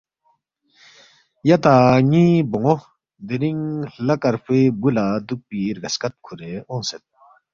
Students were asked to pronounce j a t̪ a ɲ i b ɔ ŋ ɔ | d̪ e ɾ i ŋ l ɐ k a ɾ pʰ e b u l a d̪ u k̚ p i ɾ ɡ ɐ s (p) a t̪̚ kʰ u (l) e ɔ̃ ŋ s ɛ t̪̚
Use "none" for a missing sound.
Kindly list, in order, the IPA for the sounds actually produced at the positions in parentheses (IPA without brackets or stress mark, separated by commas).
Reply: k, ɾ